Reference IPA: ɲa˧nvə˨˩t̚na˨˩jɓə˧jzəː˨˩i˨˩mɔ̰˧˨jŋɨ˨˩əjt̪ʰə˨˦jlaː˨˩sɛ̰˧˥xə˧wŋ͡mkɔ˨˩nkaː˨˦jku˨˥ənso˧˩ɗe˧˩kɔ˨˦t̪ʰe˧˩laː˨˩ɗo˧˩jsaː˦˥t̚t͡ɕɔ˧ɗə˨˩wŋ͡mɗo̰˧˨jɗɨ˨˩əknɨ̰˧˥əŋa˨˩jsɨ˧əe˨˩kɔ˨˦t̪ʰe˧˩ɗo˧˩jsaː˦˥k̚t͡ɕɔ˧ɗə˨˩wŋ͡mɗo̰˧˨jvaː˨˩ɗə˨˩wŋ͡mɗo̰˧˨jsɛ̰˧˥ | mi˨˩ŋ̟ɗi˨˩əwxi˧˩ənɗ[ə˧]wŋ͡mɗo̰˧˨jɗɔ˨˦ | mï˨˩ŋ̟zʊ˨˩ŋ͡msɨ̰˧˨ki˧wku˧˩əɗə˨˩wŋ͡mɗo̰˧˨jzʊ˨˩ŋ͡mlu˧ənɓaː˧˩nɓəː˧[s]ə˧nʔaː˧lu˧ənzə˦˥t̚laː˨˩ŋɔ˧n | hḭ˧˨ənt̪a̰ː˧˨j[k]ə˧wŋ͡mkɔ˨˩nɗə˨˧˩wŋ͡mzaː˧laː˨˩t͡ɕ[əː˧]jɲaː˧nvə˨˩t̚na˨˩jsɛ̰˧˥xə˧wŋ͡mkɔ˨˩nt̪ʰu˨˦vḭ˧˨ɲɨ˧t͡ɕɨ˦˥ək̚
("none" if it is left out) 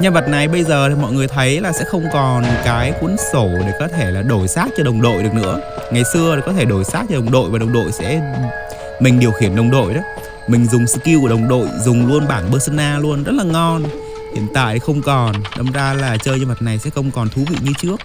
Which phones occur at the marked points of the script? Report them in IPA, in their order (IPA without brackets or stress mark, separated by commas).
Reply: ə˨˩, s, x, əː˧